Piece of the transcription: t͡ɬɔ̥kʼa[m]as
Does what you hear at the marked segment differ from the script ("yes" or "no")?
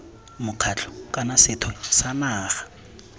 yes